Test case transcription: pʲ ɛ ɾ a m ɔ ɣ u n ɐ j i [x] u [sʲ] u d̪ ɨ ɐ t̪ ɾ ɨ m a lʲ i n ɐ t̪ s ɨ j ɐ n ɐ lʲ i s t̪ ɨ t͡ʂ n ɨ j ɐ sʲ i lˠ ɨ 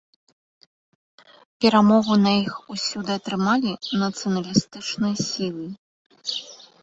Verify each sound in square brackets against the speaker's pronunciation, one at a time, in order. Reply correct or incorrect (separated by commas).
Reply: correct, correct